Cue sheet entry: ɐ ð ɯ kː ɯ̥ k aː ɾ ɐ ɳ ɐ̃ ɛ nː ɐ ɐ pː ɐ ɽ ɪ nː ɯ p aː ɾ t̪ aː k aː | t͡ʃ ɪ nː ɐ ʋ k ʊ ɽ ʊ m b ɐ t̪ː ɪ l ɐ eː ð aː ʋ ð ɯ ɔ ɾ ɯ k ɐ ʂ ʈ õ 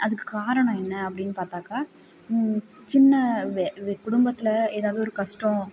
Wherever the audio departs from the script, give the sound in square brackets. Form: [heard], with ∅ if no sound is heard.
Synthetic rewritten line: ɐ ð ɯ kː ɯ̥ k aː ɾ ɐ ɳ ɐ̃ ɛ nː ɐ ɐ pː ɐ ɽ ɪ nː ɯ p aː ɾ t̪ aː k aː | t͡ʃ ɪ nː ɐ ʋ k ʊ ɽ ʊ m b ɐ t̪ː ɪ l ɐ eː ð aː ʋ ð ɯ ɔ ɾ ɯ k ɐ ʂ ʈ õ

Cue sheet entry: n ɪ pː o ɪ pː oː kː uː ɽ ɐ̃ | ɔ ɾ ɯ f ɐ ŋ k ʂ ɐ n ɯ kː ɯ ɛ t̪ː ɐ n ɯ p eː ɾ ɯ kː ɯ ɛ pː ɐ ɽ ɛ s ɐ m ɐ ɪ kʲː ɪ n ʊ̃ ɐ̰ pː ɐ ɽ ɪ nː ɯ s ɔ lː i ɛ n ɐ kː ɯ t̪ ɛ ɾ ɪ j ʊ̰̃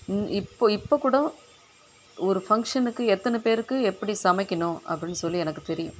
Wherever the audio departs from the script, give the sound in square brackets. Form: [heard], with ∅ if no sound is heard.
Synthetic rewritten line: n ɪ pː o ɪ pː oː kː uː ɽ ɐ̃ | ɔ ɾ ɯ f ɐ ŋ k ʂ ɐ n ɯ kː ɯ ɛ t̪ː ɐ n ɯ p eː ɾ ɯ kː ɯ ɛ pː ɐ ɽ [i] s ɐ m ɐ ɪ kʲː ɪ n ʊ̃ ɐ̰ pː ɐ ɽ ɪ nː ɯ s ɔ lː i ɛ n ɐ kː ɯ t̪ ɛ ɾ ɪ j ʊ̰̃

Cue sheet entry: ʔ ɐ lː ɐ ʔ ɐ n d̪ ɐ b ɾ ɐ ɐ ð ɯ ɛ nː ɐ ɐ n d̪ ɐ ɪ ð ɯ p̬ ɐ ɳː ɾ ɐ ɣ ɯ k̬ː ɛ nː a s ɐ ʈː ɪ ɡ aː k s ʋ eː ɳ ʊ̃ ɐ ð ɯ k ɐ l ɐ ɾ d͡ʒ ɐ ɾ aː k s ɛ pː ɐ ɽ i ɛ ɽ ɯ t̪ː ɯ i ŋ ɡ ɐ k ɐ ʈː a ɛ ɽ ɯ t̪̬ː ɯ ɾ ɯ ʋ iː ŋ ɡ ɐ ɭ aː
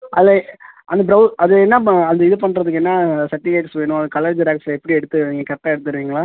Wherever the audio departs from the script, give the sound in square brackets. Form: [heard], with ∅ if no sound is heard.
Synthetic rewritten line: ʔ ɐ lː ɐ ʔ ɐ n d̪ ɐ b ɾ ɐ ɐ ð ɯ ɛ nː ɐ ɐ n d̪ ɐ ɪ ð ɯ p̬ ɐ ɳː ɾ ɐ [ð] ɯ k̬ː ɛ nː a s ɐ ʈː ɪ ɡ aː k s ʋ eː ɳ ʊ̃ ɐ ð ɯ k ɐ l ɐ ɾ d͡ʒ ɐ ɾ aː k s ɛ pː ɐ ɽ i ɛ ɽ ɯ t̪ː ɯ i ŋ ɡ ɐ k ɐ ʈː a ɛ ɽ ɯ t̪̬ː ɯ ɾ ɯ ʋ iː ŋ ɡ ɐ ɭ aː

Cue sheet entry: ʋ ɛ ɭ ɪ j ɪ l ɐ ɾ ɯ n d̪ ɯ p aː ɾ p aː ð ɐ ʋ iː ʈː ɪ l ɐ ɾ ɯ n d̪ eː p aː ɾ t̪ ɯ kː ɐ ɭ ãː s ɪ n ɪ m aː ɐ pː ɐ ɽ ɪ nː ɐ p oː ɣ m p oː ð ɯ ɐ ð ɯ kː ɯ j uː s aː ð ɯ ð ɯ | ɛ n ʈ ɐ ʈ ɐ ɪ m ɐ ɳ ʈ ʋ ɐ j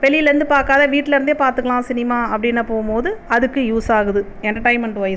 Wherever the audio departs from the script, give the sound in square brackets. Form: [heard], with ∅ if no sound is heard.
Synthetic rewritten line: ʋ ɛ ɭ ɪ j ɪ l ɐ ɾ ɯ n d̪ ɯ p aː ɾ [k] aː ð ɐ ʋ iː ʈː ɪ l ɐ ɾ ɯ n d̪ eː p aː ɾ t̪ ɯ kː ɐ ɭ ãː s ɪ n ɪ m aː ɐ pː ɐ ɽ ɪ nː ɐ p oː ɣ m p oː ð ɯ ɐ ð ɯ kː ɯ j uː s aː [ɣ] ɯ ð ɯ | ɛ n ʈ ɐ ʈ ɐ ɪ m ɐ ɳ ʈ ʋ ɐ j

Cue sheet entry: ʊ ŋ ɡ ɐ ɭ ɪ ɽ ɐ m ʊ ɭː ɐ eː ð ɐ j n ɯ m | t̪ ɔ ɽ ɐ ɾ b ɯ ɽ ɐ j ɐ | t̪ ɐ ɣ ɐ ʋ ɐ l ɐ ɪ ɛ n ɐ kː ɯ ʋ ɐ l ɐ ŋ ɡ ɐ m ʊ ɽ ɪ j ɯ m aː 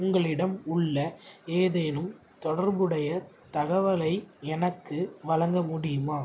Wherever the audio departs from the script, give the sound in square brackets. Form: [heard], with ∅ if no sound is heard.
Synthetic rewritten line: ʊ ŋ ɡ ɐ ɭ ɪ ɽ ɐ m ʊ ɭː ɐ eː ð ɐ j n ɯ m | t̪ ɔ ɽ ɐ ɾ b ɯ ɽ ɐ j ɐ | t̪ ɐ ɣ ɐ ʋ ɐ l ɐ ɪ ɛ n ɐ kː ɯ ʋ ɐ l ɐ ŋ ɡ ɐ m ʊ ɽ ɪ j ɯ m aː

